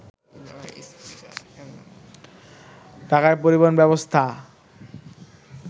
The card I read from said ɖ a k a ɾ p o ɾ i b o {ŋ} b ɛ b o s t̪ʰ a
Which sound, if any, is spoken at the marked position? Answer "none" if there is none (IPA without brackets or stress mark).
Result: n